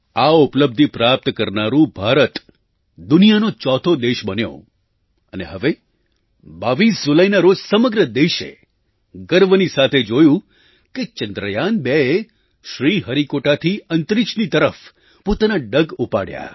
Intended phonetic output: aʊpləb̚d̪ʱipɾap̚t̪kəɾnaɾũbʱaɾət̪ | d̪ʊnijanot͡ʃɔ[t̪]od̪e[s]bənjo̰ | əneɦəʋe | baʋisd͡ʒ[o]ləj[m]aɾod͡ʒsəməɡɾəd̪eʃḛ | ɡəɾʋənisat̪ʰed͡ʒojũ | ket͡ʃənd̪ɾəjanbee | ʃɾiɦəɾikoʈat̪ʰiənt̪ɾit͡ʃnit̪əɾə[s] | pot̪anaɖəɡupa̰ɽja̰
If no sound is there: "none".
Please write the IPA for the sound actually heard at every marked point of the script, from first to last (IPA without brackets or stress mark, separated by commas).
t̪ʰ, ʃ, u, n, f